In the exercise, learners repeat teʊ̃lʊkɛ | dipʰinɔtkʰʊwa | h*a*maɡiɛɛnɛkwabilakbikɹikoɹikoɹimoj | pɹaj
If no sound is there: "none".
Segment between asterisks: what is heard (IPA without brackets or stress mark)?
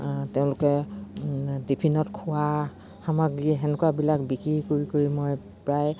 a